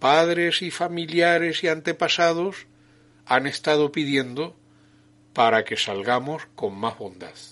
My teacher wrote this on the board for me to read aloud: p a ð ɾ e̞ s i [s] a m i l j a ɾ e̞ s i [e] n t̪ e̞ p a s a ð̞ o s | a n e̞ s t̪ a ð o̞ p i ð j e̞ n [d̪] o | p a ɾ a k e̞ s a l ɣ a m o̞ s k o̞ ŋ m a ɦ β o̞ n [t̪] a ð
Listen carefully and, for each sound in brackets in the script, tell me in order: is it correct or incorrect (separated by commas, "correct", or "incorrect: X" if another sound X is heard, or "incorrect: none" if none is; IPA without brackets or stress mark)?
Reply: incorrect: f, incorrect: a, correct, incorrect: d̪